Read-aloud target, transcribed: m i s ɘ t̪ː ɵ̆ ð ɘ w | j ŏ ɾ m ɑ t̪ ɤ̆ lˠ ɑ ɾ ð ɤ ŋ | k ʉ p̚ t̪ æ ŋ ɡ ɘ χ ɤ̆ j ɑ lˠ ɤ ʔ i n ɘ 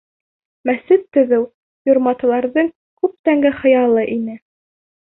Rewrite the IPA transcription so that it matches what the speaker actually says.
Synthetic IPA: m æ s ɘ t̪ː ɵ̆ ð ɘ w | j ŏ ɾ m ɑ t̪ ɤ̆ lˠ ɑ ɾ ð ɤ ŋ | k ʉ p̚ t̪ æ ŋ ɡ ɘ χ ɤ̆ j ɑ lˠ ɤ ʔ i n ɘ

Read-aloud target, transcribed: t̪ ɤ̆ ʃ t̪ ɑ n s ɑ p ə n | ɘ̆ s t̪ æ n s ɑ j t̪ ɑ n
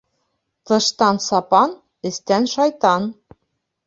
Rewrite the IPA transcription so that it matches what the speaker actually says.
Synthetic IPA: t̪ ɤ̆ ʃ t̪ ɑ n s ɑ p ɑ n | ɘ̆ s t̪ æ n ʃ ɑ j t̪ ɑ n

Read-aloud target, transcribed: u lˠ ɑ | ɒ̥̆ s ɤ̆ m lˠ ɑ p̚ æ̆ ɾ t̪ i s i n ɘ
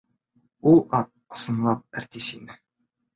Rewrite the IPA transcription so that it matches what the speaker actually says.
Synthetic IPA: u lˠ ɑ | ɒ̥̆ s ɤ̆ n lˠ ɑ p̚ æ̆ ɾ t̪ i s i n ɘ

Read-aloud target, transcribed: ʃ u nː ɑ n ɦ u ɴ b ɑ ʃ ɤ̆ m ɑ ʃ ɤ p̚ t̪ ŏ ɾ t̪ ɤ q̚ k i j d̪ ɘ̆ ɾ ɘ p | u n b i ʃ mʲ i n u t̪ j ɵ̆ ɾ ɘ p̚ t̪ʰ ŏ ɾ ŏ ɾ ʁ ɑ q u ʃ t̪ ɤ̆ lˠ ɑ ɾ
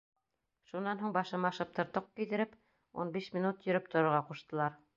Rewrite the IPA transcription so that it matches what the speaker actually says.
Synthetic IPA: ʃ u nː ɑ n ɦ u ɴ b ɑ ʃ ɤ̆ m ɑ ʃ ɤ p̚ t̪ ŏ ɾ t̪ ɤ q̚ k i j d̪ ɘ̆ ɾ ɘ p | u n b i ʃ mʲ i n u t̪ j ɵ̆ ɾ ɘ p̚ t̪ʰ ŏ ɾ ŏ ɾ ʁ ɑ q u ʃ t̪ ɤ̆ lˠ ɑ ɾ

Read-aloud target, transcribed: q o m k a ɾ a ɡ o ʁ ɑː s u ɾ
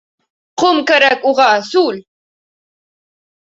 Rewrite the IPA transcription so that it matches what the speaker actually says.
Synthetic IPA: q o m k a ɾ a k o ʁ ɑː s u l

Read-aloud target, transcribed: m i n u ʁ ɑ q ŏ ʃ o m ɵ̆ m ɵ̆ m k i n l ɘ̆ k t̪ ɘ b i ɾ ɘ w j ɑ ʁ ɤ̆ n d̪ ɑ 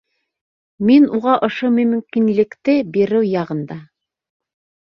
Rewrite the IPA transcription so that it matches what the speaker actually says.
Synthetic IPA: m i n u ʁ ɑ ʔ ŏ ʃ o m ɵ̆ m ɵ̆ m k i n l ɘ̆ k t̪ ɘ b i ɾ ɘ w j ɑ ʁ ɤ̆ n d̪ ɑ

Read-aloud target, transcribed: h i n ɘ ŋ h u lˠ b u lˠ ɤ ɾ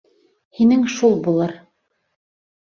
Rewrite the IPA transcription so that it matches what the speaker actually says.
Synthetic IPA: h i n ɘ ŋ ʃ u lˠ b u lˠ ɤ ɾ

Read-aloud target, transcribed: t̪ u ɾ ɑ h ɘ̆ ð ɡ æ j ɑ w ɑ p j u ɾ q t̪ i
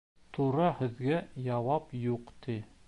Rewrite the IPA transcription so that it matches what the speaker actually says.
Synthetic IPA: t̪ u ɾ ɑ h ɘ̆ ð ɡ æ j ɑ w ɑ p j u q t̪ i

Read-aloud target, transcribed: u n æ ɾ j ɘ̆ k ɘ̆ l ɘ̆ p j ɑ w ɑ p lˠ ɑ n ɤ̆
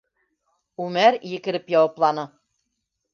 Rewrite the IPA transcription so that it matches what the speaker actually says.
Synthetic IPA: u m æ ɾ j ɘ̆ k ɘ̆ ɾ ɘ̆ p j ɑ w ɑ p lˠ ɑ n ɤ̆

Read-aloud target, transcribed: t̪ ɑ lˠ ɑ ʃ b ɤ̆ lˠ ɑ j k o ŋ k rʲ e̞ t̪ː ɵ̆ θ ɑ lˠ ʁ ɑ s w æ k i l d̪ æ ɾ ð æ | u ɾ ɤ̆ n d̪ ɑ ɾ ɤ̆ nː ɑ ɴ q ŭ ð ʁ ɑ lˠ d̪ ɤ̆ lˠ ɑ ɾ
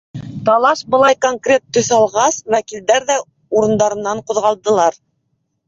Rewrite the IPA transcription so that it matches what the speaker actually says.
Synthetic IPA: t̪ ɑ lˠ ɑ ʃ b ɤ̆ lˠ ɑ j k o ŋ k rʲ e̞ t̪ː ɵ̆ θ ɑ lˠ ʁ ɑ s w æ k i l d̪ æ ɾ ð æ | u ɾ ɤ̆ n d̪ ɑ ɾ ɤ̆ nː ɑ ɴ q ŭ ð ʁ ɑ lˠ d̪ ɤ̆ lˠ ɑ ɾ

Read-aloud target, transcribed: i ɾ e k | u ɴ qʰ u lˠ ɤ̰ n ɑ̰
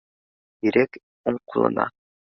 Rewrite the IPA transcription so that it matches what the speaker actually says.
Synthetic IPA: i ɾ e k | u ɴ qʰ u lˠ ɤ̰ n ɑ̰

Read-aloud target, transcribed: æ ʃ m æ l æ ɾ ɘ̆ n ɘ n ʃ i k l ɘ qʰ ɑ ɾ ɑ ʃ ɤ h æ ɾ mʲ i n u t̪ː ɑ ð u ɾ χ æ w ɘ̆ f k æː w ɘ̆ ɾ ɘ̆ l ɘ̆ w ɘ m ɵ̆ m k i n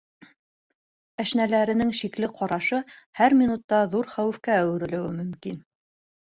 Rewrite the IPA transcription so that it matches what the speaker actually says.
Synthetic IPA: æ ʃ n æ l æ ɾ ɘ̆ n ɘ ŋ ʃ i k l ɘ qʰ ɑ ɾ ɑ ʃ ɤ h æ ɾ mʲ i n u t̪ː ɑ ð u ɾ χ æ w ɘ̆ f k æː w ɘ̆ ɾ ɘ̆ l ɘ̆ w ɘ m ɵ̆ m k i n

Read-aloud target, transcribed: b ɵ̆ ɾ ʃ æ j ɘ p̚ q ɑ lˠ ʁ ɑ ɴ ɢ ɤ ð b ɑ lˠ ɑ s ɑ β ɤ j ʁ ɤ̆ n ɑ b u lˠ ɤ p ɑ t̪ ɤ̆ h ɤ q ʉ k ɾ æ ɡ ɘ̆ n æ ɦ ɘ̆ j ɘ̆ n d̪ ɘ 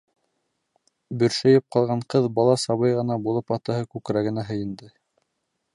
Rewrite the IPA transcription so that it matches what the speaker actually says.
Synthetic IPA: b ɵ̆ ɾ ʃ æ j ɘ p̚ q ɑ lˠ ʁ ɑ ɴ q ɤ ð b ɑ lˠ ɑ s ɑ β ɤ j ʁ ɤ̆ n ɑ b u lˠ ɤ p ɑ t̪ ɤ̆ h ɤ k ʉ k ɾ æ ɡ ɘ̆ n æ ɦ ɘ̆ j ɘ̆ n d̪ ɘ

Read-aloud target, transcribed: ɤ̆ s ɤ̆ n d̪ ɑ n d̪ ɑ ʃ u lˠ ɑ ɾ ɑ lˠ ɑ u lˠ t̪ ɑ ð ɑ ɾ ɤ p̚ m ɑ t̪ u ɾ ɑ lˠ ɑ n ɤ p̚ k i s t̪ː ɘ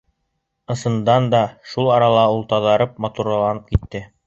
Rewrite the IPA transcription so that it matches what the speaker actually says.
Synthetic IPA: ɤ̆ s ɤ̆ n d̪ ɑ n d̪ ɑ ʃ u lˠ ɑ ɾ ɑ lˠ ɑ u lˠ t̪ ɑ ð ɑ ɾ ɤ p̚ m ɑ t̪ u ɾ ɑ lˠ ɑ n ɤ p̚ k i t̪ː ɘ

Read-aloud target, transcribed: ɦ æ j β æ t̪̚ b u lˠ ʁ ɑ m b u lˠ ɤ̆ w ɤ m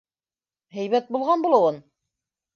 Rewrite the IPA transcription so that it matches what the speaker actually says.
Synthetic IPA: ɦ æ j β æ t̪̚ b u lˠ ʁ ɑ n b u lˠ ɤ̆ w ɤ n

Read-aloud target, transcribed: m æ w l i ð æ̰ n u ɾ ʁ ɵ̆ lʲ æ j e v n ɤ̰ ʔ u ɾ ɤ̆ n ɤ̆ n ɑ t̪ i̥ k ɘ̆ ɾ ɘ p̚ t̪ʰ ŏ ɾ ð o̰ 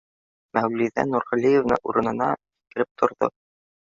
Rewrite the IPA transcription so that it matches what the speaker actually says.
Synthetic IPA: m æ w l i ð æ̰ n u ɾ ʁ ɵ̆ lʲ i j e v n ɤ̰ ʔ u ɾ ɤ̆ n ɤ̆ n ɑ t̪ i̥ k ɘ̆ ɾ ɘ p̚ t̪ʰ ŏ ɾ ð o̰

